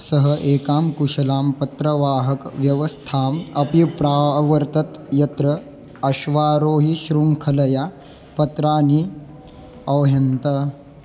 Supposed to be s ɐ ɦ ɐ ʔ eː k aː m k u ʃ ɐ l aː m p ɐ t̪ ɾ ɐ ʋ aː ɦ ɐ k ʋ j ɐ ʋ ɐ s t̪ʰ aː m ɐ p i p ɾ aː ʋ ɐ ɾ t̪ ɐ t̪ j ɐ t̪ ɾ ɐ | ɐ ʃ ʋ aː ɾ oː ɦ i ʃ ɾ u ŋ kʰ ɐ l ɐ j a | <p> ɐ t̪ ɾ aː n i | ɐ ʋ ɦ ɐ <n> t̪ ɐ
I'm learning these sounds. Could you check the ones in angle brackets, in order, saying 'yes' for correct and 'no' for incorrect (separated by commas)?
yes, yes